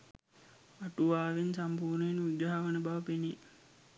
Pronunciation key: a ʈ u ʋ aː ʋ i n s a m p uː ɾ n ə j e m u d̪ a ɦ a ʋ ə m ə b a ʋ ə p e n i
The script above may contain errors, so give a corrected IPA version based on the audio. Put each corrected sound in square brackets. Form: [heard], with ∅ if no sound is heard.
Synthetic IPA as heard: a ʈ u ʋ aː ʋ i n s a m p uː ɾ n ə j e [n] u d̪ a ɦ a ʋ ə [n] ə b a ʋ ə p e n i